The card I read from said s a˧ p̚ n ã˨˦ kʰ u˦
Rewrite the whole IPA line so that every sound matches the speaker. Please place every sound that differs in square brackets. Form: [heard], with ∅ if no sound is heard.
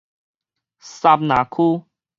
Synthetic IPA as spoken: s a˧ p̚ n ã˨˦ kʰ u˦